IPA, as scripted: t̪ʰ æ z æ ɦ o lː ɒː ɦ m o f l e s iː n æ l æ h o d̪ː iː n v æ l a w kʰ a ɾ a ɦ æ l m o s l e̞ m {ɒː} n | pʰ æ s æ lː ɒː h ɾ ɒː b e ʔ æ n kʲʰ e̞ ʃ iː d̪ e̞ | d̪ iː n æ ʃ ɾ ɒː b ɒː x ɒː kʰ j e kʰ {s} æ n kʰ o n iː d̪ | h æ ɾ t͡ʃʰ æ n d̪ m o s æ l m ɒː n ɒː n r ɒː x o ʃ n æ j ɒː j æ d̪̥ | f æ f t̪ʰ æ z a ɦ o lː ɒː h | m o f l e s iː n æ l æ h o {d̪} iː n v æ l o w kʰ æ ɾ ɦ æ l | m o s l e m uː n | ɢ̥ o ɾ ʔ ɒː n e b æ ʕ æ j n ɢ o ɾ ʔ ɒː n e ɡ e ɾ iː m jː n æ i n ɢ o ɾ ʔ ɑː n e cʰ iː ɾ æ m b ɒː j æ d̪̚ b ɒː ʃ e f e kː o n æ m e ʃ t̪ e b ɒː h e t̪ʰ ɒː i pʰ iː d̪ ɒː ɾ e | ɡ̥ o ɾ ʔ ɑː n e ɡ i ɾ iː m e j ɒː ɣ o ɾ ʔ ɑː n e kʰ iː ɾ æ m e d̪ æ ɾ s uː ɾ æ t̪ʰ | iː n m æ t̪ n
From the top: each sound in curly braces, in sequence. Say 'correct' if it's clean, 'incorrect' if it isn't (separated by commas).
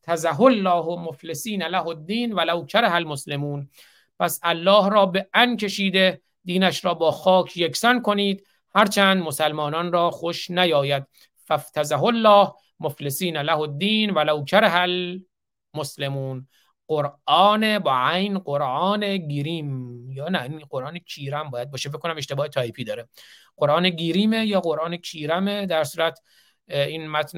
incorrect, correct, incorrect